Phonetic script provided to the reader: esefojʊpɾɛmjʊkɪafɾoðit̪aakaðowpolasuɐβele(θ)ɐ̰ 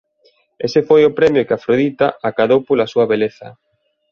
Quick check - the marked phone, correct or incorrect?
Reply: correct